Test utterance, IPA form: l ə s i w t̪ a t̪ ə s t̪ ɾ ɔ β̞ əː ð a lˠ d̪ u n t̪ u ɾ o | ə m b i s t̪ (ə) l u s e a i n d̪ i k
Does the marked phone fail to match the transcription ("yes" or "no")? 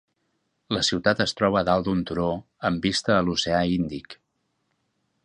yes